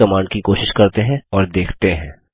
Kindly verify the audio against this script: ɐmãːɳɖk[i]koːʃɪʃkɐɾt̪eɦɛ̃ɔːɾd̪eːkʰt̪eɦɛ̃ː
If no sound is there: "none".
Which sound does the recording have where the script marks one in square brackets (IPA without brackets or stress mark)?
i